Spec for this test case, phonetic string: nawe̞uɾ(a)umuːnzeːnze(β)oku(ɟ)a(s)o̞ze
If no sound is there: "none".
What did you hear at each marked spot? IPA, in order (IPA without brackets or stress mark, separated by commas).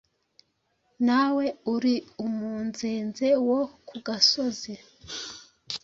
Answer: i, w, ɡ, s